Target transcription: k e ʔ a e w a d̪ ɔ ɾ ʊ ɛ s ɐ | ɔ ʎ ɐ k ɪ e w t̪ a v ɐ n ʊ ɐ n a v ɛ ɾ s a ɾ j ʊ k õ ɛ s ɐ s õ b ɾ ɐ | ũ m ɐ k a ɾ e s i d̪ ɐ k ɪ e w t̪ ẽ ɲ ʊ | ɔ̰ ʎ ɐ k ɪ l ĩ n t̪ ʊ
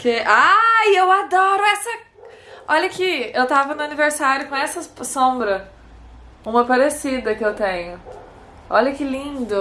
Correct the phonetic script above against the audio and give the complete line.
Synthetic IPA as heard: k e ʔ a e w a d̪ ɔ ɾ ʊ ɛ s ɐ | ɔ ʎ ɐ k ɪ e w t̪ a v ɐ n ʊ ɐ n i v e ɾ s a ɾ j ʊ k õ ɛ s ɐ s õ b ɾ ɐ | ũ m ɐ p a ɾ e s i d̪ ɐ k ɪ e w t̪ ẽ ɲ ʊ | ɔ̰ ʎ ɐ k ɪ l ĩ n d̪ ʊ